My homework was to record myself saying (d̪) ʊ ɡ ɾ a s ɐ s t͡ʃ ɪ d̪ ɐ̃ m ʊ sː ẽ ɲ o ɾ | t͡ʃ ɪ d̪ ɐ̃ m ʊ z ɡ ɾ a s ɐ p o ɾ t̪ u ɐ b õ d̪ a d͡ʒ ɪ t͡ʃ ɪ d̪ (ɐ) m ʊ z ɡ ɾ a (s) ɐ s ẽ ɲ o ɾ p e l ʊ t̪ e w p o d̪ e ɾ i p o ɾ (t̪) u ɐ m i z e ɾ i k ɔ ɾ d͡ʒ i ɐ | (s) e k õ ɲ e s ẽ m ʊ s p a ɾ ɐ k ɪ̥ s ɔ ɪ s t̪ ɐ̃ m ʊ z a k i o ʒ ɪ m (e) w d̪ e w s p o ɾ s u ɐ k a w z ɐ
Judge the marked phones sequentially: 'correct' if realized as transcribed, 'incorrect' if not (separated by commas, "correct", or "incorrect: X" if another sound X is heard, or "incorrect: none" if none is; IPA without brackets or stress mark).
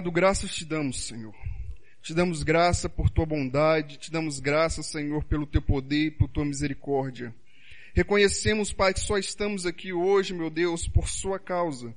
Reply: correct, incorrect: ɐ̃, correct, correct, incorrect: h, correct